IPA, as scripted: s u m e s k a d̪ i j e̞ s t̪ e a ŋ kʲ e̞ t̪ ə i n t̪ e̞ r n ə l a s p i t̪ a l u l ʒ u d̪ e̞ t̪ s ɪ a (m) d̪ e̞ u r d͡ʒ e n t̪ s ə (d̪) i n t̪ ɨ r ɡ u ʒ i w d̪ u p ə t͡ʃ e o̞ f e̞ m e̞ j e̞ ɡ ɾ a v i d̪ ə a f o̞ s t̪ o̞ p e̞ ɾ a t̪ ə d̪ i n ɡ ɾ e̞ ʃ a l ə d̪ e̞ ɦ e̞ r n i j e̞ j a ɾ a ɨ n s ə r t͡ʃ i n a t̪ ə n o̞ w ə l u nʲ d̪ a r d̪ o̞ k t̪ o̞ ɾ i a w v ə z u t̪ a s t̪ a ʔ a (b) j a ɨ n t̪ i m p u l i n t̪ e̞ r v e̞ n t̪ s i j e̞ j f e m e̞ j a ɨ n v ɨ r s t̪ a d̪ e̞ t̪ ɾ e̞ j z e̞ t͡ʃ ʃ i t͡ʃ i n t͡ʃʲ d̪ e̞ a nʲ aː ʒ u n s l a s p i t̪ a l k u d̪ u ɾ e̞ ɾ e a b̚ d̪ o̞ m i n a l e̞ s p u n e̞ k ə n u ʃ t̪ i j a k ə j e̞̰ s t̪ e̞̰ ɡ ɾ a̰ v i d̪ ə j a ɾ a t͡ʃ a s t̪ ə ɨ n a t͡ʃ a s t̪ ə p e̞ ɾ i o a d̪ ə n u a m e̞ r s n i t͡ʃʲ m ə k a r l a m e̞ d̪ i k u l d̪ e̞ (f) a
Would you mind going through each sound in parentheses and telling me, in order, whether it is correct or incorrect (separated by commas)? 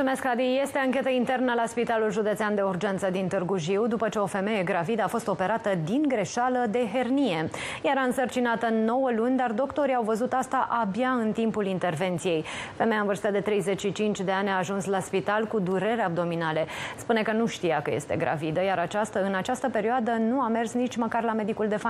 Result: incorrect, correct, correct, correct